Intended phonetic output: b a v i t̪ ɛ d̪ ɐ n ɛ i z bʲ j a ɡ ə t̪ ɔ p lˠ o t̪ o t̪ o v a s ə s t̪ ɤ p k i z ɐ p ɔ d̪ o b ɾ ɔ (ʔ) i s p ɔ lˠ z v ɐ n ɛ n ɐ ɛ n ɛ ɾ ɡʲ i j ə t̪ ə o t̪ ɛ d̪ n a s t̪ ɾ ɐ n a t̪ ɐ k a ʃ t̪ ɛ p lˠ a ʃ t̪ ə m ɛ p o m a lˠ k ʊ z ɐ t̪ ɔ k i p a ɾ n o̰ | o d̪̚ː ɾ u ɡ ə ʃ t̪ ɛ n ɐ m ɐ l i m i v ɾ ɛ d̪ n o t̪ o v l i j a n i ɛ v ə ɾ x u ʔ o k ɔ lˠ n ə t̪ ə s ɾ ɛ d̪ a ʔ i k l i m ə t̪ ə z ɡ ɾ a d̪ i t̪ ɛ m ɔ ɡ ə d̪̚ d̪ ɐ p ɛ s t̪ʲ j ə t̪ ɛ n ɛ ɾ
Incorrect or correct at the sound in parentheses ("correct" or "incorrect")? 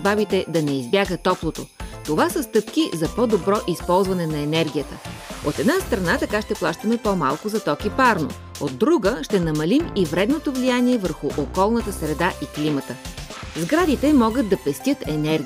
correct